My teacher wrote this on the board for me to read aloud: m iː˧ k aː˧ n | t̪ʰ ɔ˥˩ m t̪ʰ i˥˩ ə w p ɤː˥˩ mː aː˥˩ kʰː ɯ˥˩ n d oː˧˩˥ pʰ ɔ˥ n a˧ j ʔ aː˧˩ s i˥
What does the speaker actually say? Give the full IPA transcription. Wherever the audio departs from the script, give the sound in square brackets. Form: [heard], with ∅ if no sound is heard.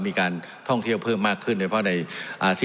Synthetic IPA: m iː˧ k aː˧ n | t̪ʰ ɔ˥˩ [ŋ] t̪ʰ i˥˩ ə w [pʰ] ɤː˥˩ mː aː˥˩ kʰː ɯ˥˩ n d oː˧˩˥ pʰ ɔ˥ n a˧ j ʔ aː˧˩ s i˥

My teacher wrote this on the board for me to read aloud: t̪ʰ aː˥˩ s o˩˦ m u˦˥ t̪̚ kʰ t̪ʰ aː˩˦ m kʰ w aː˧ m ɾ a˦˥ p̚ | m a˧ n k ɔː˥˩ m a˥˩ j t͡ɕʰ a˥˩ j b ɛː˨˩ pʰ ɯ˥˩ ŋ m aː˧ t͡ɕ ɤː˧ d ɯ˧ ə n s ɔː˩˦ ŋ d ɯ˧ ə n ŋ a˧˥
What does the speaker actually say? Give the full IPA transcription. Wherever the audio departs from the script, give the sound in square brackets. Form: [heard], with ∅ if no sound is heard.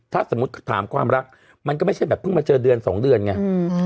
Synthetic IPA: t̪ʰ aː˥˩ s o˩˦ m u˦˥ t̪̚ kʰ t̪ʰ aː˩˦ m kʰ w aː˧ m ɾ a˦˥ [k̚] | m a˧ n k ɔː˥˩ m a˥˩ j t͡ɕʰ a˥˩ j b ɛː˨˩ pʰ ɯ˥˩ ŋ m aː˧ t͡ɕ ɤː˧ d ɯ˧ ə n s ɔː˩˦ ŋ d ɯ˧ ə n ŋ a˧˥

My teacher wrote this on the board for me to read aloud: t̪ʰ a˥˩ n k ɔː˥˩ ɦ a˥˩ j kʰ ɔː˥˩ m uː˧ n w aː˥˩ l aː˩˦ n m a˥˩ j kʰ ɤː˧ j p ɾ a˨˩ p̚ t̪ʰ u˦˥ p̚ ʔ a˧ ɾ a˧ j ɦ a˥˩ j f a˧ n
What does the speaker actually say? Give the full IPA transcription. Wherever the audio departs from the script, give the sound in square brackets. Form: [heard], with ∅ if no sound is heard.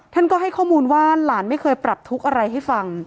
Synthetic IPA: t̪ʰ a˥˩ n k ɔː˥˩ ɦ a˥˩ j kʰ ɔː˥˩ m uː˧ n w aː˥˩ l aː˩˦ n m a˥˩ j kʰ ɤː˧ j p ɾ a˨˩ p̚ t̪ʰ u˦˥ [k̚] ʔ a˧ ɾ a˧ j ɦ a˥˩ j f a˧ [ŋ]

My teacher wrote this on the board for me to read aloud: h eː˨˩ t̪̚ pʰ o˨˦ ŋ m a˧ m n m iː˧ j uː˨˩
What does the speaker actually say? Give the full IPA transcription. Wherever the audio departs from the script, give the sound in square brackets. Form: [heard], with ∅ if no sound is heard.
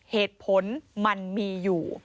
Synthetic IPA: h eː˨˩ t̪̚ pʰ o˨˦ [n] m a˧ [∅] n m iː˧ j uː˨˩

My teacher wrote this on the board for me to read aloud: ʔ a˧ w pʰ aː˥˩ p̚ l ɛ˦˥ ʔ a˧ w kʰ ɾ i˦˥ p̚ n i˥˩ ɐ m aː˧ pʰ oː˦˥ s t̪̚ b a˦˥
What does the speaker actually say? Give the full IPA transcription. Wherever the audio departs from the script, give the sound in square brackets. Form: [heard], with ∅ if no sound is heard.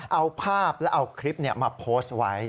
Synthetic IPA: ʔ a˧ w pʰ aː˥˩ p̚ l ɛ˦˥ ʔ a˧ w kʰ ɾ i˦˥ p̚ n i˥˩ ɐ m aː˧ pʰ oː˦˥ s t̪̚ [w] a˦˥

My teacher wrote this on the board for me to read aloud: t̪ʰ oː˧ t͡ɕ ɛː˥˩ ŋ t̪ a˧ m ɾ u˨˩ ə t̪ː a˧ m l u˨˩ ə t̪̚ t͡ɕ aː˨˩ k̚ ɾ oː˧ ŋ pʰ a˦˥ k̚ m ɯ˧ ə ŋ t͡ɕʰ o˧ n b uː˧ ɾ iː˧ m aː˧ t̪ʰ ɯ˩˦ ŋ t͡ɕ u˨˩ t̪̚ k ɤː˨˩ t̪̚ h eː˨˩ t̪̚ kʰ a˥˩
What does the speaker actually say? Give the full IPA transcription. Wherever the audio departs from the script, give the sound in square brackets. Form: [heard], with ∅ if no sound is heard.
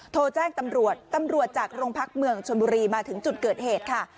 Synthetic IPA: t̪ʰ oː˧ t͡ɕ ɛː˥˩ ŋ t̪ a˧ m ɾ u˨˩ ə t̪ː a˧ m [ɾ] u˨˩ ə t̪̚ t͡ɕ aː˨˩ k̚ ɾ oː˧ ŋ pʰ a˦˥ k̚ m ɯ˧ ə ŋ t͡ɕʰ o˧ n b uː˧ ɾ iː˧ m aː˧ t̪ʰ ɯ˩˦ ŋ t͡ɕ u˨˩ t̪̚ k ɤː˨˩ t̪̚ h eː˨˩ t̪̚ kʰ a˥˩

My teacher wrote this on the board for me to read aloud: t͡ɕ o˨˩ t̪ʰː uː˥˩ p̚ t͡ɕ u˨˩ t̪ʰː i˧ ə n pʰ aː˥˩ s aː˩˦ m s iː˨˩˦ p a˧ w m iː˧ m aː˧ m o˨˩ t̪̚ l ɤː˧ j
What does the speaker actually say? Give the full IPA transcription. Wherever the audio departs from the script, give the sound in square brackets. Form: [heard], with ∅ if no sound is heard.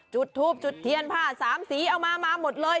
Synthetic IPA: t͡ɕ [u˨˩] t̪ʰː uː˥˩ p̚ t͡ɕ u˨˩ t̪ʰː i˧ ə n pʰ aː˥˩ s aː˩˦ m s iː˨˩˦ [ʔ] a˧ w m [aː˧] m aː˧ m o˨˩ t̪̚ l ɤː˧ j

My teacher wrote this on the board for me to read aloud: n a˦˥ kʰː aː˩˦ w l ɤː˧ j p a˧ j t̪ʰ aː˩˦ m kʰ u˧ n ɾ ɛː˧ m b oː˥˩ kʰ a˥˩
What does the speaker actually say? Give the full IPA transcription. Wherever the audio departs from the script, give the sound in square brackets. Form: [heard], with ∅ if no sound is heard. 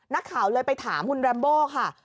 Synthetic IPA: n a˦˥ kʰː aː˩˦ w l ɤː˧ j p a˧ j t̪ʰ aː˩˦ m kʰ u˧ n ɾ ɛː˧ m b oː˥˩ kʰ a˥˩

